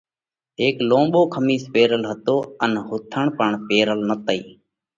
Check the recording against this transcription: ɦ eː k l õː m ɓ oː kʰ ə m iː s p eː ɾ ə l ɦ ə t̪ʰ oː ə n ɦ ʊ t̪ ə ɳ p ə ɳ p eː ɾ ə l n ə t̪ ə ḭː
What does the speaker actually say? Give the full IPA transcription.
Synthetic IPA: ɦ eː k l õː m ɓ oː kʰ ə m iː s p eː ɾ ə l ɦ ə t̪ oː ə n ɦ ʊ t̪ʰ ə ɳ p ə ɳ p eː ɾ ə l n ə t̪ ə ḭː